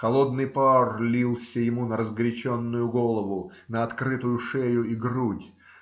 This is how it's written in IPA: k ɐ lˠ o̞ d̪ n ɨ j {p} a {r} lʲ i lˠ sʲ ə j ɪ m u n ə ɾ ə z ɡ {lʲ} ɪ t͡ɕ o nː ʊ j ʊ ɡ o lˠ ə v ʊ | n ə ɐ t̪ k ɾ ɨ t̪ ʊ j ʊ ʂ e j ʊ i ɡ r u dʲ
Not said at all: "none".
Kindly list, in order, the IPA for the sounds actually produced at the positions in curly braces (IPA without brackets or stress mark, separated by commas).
p, r, ɾʲ